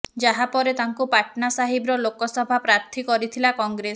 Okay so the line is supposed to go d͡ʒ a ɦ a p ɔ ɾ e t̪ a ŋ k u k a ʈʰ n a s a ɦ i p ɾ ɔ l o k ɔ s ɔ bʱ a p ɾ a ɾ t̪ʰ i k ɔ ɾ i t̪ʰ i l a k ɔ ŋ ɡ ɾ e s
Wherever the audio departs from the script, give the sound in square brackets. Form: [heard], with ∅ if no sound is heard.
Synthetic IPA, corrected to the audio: d͡ʒ a ɦ a p ɔ ɾ e t̪ a ŋ k u [p] a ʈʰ n a s a ɦ i [b] ɾ ɔ l o k ɔ s ɔ bʱ a p ɾ a ɾ t̪ʰ i k ɔ ɾ i t̪ʰ i l a k ɔ ŋ ɡ ɾ e s